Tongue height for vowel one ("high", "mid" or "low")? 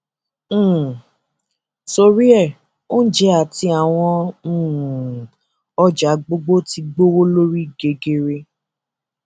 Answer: mid